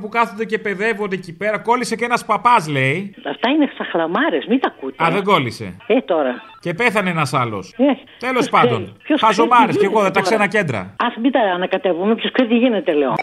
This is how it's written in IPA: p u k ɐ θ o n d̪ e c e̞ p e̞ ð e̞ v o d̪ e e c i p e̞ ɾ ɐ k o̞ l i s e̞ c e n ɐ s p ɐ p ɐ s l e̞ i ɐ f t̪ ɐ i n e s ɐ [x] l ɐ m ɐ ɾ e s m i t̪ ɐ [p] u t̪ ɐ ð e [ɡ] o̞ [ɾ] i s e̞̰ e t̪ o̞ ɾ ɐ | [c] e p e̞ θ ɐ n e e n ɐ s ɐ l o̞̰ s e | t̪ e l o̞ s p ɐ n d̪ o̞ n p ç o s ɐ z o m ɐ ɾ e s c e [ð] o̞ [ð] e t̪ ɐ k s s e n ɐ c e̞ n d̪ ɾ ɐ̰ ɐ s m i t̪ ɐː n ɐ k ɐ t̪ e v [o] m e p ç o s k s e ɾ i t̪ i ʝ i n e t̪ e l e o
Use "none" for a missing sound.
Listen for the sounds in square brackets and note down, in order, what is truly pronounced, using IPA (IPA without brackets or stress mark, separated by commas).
x, k, ɡ, l, c, ɣ, ð, u